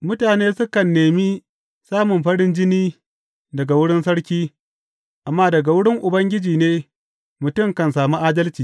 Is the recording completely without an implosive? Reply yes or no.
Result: yes